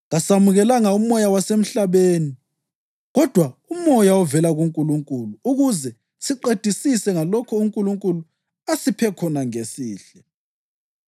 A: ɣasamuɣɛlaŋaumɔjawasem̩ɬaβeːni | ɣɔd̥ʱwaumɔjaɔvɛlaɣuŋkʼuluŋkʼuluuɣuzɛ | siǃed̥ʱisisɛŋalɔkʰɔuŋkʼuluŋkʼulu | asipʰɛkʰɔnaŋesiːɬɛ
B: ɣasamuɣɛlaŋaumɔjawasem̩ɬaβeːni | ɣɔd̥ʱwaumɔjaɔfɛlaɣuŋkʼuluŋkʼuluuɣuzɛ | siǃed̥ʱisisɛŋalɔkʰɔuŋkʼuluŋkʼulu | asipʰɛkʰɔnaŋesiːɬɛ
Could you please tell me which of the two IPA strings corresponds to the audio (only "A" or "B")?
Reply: A